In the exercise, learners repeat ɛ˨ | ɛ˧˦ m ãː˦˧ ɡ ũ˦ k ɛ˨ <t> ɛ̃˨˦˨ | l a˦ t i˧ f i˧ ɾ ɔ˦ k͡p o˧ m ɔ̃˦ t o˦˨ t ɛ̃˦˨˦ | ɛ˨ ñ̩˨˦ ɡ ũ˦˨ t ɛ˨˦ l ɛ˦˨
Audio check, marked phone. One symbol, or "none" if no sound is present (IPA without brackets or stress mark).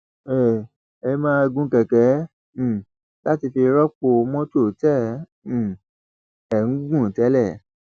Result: k